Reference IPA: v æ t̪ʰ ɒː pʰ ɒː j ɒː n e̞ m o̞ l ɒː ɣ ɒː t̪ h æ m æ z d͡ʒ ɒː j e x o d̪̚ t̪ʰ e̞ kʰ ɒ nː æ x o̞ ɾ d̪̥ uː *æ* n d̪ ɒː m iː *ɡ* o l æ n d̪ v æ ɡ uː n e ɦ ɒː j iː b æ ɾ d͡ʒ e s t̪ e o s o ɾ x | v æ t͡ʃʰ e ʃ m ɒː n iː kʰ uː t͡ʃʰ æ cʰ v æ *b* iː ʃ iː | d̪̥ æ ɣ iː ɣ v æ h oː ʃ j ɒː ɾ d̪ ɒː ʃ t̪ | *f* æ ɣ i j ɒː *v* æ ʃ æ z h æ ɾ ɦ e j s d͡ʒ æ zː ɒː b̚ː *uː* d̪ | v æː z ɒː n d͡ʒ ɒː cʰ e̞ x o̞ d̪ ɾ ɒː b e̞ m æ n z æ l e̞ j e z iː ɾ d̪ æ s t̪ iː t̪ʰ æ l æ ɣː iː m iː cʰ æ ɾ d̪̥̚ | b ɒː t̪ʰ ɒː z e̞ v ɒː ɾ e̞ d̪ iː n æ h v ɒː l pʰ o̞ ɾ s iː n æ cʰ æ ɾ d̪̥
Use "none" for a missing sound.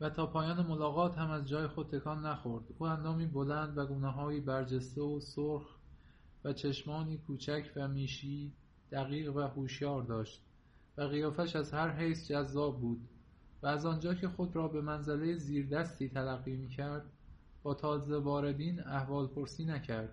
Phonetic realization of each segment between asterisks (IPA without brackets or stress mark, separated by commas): æ, b, m, v, f, uː